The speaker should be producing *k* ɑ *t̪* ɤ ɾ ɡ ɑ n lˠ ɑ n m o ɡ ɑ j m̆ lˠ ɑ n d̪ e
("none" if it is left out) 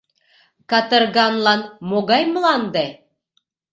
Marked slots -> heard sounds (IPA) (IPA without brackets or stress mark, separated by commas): k, t̪